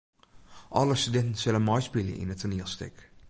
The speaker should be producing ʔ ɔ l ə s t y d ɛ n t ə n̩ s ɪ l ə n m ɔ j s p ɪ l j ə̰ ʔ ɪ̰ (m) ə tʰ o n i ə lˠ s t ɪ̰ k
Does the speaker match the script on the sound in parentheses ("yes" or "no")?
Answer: no